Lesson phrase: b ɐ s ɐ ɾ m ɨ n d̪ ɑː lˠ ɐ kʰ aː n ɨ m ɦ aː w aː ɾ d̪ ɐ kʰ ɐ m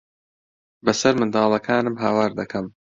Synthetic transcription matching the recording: b ɐ s ɐ ɾ m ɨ n d̪ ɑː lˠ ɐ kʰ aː n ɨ m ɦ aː w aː ɾ d̪ ɐ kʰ ɐ m

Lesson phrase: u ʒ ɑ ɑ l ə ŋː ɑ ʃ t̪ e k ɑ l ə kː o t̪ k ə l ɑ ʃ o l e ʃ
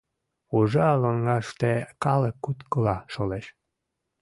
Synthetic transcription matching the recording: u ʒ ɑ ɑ l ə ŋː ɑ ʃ t̪ e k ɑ l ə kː u t̪ k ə l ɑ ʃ o l e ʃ

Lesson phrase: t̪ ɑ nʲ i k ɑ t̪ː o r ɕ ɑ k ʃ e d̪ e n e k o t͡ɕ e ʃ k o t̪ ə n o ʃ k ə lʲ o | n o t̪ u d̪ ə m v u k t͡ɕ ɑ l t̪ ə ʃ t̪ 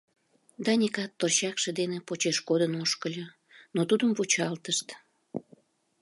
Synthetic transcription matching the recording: d̪ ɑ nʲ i k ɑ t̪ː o r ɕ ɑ k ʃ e d̪ e n e p o t͡ɕ e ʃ k o d̪ ə n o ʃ k ə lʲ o | n o t̪ u d̪ ə m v u t͡ɕ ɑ l t̪ ə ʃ t̪

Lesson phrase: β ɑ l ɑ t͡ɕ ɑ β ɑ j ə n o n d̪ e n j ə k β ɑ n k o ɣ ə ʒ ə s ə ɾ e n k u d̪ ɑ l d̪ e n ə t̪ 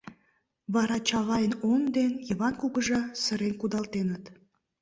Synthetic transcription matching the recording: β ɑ ɾ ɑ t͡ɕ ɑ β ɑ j ə n o n d̪ e n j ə β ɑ n k u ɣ ə ʒ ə s ə ɾ e n k u d̪ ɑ l t̪ e n ə t̪

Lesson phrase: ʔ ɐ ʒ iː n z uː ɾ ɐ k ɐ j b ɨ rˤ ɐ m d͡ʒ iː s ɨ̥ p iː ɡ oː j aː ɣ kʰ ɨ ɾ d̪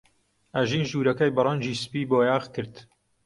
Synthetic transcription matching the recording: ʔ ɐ ʒ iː n ʒ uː ɾ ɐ k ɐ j b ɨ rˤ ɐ n d͡ʒ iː s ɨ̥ p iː b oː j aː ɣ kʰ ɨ ɾ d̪

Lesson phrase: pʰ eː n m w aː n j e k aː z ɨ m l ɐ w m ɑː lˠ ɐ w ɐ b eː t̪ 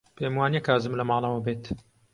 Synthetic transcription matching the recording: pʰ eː m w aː n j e k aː z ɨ m l ɐ m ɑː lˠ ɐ w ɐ b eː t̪

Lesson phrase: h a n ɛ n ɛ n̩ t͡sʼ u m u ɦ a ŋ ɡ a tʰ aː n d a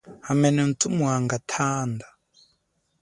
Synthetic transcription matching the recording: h a m ɛ n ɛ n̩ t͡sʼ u m u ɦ a ŋ ɡ a tʰ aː n d a

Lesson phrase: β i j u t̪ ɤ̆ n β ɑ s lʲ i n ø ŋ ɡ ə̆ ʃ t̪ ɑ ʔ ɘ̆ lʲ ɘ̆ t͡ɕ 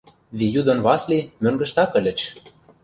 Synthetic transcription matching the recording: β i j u d̪ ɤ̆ n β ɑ s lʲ i m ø ŋ ɡ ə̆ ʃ t̪ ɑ k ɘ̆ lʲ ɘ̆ t͡ɕ

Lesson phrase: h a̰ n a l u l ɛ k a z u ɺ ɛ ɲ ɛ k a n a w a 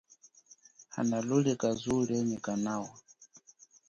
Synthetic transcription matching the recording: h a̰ n a l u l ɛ k a z u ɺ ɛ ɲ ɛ k a n a w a

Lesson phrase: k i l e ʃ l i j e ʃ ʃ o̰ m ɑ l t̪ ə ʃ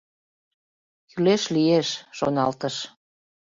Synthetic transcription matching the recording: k y l e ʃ l i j e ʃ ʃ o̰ n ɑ l t̪ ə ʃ

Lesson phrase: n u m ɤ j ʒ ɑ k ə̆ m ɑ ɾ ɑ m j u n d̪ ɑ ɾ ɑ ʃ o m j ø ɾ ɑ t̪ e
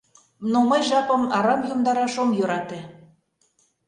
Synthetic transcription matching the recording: n o m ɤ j ʒ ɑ p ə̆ m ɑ ɾ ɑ m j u m d̪ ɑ ɾ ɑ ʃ o m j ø ɾ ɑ t̪ e

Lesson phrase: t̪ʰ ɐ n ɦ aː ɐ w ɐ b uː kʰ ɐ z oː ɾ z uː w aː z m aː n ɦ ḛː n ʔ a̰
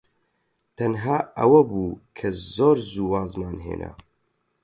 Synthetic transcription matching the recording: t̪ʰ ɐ n ɦ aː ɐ w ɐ b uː kʰ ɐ z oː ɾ z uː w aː z m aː n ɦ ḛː n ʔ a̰

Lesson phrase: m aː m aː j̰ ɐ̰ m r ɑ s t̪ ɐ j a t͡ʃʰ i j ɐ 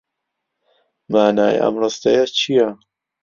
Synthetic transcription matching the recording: m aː n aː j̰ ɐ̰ m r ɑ s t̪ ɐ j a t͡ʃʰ i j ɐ

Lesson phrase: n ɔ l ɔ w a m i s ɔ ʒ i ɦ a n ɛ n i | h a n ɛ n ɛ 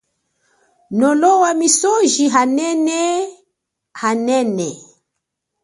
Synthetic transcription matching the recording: n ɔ l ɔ w a m i s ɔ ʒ i ɦ a n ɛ n ɛ | h a n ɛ n ɛ

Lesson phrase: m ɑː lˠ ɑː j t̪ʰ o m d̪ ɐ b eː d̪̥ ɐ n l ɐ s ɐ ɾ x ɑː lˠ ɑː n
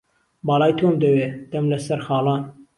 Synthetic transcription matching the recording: b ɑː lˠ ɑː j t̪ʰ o m d̪ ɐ w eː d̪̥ ɐ m l ɐ s ɐ ɾ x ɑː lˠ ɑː n

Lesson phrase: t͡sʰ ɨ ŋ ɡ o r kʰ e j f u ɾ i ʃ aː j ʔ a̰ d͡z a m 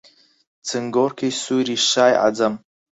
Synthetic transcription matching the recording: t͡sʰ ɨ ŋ ɡ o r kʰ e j s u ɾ i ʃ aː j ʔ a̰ d͡z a m

